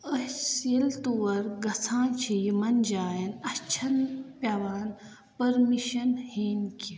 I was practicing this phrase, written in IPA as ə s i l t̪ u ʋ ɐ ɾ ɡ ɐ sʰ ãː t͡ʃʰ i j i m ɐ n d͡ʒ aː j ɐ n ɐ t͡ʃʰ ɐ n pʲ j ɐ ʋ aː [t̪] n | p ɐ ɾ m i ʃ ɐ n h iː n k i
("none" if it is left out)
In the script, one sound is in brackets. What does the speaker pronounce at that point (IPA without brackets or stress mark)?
none